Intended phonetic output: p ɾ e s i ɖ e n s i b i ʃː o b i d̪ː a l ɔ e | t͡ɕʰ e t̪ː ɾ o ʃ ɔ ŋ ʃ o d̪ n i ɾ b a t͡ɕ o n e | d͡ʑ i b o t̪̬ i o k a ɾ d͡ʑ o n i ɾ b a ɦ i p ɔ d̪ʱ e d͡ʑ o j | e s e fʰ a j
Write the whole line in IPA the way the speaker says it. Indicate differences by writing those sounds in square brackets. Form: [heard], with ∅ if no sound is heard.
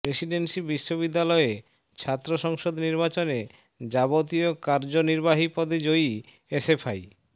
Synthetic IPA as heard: p ɾ e s i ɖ e n s i b i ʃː o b i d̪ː a l ɔ e | t͡ɕʰ [a] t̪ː ɾ o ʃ ɔ ŋ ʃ o d̪ n i ɾ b a t͡ɕ o n e | d͡ʑ [a] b o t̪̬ i o k a ɾ d͡ʑ o n i ɾ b a ɦ i p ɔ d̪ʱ e d͡ʑ o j | e s e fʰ a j